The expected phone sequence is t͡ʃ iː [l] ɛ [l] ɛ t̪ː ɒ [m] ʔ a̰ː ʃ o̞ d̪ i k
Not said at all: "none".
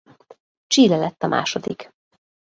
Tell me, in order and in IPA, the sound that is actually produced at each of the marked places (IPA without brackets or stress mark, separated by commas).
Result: l, l, m